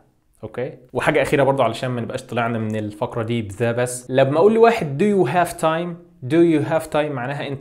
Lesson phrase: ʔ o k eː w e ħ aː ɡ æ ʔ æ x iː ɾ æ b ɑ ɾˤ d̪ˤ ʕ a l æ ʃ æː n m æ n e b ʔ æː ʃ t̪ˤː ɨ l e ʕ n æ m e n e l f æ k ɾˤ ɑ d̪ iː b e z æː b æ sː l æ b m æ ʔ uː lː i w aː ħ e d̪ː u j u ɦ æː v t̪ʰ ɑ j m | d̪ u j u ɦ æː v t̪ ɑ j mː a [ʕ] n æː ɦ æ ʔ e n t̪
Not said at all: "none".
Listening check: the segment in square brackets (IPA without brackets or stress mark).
ʕ